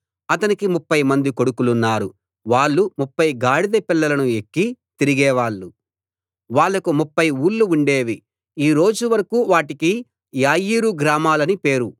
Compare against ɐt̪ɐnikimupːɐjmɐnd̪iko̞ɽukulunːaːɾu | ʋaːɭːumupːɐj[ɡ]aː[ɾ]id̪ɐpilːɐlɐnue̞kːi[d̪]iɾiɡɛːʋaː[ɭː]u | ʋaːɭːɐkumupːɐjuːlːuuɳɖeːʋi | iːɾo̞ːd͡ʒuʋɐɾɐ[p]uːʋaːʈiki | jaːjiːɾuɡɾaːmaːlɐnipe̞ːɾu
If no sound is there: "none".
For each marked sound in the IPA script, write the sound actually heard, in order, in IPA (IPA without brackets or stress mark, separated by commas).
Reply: ɡ, ɽ, t̪, ɭː, k